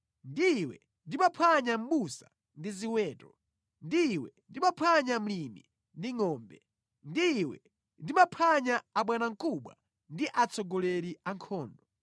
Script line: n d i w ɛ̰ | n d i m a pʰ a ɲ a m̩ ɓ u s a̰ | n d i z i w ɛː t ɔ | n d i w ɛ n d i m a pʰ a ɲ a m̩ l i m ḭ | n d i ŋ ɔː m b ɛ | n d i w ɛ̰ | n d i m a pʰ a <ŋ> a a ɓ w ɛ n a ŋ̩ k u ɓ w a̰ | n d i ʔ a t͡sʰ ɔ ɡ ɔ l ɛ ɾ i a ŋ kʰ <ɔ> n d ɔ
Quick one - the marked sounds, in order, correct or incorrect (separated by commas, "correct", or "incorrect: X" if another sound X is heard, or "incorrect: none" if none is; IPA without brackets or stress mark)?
incorrect: ɲ, incorrect: ɔː